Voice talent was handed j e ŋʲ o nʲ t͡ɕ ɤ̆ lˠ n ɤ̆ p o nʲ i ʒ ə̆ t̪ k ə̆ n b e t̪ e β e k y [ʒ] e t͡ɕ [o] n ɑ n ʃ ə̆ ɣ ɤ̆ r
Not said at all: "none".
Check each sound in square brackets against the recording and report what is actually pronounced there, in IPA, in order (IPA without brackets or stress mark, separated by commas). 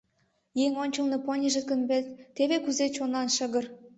z, o